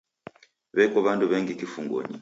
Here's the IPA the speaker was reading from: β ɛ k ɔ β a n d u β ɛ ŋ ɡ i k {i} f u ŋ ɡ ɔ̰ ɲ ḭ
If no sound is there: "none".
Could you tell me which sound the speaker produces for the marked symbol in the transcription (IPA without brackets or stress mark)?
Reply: i